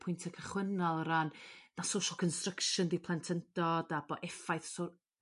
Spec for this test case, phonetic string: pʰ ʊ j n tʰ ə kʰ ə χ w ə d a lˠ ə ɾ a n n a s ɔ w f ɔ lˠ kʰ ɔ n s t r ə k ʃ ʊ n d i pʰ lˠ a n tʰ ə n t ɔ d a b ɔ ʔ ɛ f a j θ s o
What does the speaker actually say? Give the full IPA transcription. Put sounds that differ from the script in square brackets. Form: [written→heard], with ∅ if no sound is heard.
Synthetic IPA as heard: pʰ ʊ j n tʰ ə kʰ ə χ w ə [d→n] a lˠ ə ɾ a n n a s [ɔ→o] w [f→ʃ] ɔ lˠ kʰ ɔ n s t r ə k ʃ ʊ n d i pʰ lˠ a n tʰ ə n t ɔ d a b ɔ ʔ ɛ f a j θ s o